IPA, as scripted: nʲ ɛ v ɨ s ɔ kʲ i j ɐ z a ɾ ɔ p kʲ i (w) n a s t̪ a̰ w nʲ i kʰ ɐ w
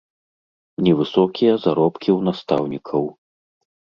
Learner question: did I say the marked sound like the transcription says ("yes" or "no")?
yes